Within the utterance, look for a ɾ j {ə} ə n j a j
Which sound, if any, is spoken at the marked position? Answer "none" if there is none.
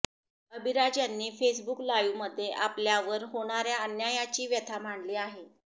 a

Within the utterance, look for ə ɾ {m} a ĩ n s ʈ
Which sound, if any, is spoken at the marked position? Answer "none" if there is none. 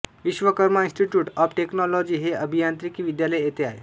m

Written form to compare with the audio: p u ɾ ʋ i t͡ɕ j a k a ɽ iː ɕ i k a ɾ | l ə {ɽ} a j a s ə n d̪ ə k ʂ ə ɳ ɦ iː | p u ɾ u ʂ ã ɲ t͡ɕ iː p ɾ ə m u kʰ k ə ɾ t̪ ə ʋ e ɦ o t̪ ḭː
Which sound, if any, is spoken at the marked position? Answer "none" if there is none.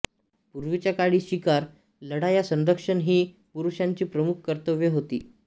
ɽ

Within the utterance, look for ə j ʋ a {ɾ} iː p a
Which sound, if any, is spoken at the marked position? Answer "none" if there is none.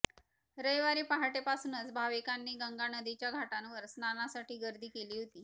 ɾ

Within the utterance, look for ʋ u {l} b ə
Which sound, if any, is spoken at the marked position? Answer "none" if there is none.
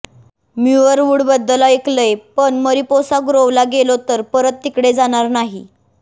ɽ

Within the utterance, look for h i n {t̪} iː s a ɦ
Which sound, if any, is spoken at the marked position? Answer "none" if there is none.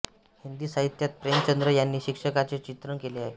d̪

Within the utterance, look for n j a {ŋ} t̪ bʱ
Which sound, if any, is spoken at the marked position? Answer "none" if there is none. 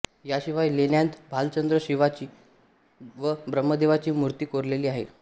n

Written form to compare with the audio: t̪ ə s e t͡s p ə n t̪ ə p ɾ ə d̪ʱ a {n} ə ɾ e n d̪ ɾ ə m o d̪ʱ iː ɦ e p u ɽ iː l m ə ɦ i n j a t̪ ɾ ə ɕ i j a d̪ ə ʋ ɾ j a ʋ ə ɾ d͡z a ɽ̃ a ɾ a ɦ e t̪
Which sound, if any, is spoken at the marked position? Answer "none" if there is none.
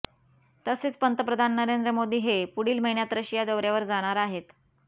nː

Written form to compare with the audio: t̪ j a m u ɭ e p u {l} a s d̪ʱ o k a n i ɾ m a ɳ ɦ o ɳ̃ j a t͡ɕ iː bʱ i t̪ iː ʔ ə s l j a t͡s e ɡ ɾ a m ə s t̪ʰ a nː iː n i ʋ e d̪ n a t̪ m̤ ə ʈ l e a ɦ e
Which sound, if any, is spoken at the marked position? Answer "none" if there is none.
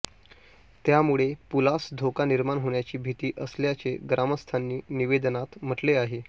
l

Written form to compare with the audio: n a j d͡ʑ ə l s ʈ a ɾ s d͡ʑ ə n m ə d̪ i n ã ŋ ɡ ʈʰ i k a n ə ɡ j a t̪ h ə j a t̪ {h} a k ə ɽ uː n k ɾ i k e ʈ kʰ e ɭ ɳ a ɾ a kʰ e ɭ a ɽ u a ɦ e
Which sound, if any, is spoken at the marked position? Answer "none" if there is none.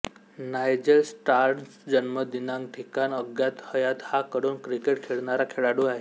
h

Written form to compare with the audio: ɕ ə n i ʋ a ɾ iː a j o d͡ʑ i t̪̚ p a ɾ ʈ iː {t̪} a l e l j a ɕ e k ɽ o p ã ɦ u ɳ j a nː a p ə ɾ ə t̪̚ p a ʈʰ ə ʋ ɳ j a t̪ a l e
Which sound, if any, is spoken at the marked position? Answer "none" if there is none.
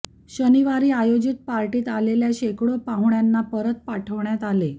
t̪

